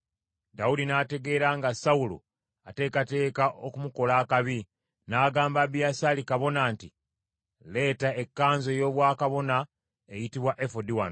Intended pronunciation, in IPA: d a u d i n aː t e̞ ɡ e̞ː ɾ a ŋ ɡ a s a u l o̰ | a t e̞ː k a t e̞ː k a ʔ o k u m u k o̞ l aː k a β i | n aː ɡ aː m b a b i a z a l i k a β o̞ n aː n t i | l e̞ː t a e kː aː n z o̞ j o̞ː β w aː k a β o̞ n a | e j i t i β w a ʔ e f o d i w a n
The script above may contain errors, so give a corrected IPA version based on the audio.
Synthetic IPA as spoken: d a u d i n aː t e̞ ɡ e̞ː ɾ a ŋ ɡ a s a u l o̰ | a t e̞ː k a t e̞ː k a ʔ o k u m u k o̞ l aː k a β i | n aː ɡ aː m b a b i a s a l i k a β o̞ n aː n t i | l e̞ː t a e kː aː n z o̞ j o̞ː β w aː k a β o̞ n a | e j i t i β w a ʔ e f o d i w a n